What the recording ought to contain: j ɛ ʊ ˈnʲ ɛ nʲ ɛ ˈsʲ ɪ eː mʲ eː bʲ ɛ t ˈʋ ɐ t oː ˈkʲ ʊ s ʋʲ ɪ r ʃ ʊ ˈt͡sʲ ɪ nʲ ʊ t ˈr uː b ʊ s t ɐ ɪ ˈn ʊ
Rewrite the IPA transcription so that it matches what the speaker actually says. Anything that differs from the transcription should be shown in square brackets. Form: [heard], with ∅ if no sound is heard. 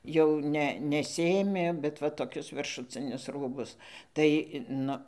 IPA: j ɛ ʊ ˈnʲ ɛ nʲ ɛ ˈsʲ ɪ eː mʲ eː bʲ ɛ t ˈʋ ɐ t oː ˈkʲ ʊ s ʋʲ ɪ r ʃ ʊ ˈt͡sʲ ɪ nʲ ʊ [s] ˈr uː b ʊ s t ɐ ɪ ˈn ʊ